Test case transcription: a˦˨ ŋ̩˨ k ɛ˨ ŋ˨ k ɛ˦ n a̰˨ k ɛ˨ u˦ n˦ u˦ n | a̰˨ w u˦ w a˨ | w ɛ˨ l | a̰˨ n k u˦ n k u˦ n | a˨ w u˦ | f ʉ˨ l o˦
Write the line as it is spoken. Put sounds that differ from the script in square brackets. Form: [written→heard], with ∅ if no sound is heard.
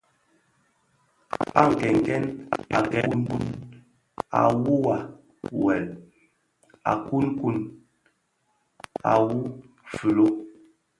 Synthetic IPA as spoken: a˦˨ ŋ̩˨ k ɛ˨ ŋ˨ k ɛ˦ n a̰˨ k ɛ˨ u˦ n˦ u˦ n | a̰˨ w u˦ w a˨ | w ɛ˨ l | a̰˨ [n→∅] k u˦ n k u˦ n | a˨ w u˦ | f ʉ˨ l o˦